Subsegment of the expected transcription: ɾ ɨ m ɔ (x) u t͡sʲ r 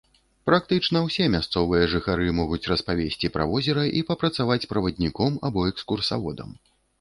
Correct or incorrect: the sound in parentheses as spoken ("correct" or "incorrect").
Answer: incorrect